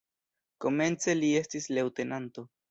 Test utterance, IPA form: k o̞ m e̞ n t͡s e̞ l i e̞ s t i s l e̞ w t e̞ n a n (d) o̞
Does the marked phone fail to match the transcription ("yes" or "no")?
yes